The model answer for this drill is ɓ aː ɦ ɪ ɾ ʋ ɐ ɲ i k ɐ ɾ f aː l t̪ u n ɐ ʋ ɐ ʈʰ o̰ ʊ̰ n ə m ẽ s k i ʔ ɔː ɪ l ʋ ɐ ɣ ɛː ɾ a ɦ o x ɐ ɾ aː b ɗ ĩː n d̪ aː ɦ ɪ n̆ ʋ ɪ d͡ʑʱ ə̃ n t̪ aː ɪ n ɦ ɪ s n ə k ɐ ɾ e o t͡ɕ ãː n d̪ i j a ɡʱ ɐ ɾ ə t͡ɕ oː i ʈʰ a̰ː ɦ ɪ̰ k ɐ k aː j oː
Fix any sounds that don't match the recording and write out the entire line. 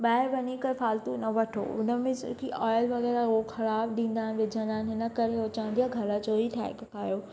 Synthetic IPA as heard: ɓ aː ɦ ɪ ɾ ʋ ɐ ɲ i k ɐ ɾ f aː l t̪ u n ɐ ʋ ɐ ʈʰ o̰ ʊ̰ n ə m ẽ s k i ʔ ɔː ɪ l ʋ ɐ ɣ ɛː ɾ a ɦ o x ɐ ɾ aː b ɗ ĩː n d̪ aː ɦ ɪ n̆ ʋ ɪ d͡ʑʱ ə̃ n d̪ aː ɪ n ɦ ɪ n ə k ɐ ɾ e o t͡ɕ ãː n d̪ i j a ɡʱ ɐ ɾ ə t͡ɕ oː i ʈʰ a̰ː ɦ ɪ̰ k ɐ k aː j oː